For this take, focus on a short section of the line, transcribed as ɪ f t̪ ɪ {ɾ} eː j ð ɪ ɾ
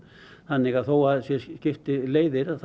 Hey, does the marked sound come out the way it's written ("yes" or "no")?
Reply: no